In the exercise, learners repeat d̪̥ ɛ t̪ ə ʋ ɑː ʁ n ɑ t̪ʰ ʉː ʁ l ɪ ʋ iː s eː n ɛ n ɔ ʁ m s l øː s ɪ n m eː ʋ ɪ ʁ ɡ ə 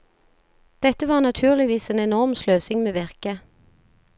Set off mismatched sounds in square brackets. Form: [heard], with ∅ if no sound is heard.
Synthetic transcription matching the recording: d̪̥ ɛ t̪ ə ʋ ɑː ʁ n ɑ t̪ʰ ʉː ʁ l ɪ ʋ iː s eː n ɛ n ɔ ʁ m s l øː s ɪ [ŋ] m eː ʋ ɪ ʁ [k] ə